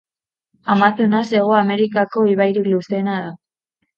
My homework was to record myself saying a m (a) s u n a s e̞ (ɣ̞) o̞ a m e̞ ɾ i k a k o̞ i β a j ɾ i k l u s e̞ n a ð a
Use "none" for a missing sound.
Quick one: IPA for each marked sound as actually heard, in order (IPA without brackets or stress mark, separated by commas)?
a, ɣ̞